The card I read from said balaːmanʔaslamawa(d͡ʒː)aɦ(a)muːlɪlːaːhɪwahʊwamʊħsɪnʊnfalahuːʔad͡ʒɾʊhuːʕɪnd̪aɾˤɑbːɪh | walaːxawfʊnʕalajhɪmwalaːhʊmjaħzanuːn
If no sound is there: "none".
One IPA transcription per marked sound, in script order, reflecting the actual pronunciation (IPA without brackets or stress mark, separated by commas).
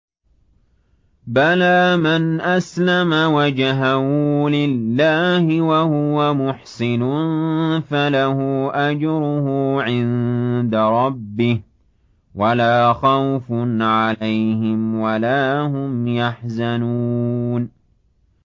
d͡ʒ, a